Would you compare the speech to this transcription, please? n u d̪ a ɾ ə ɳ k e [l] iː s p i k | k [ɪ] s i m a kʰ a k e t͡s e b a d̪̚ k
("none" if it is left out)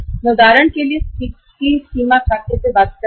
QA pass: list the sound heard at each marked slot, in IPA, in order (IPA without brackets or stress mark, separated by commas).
l, i